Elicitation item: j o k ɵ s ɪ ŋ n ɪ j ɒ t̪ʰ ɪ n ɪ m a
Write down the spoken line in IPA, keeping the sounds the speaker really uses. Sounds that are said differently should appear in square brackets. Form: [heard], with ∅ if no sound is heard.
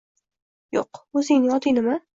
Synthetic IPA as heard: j o [q] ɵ [z] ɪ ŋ n ɪ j ɒ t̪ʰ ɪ n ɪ m a